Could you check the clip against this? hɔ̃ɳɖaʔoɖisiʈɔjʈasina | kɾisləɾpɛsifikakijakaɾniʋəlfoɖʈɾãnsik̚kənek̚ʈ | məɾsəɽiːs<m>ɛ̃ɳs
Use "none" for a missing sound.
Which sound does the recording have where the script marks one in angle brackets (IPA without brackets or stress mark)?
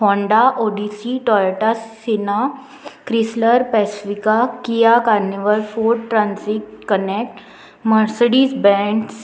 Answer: b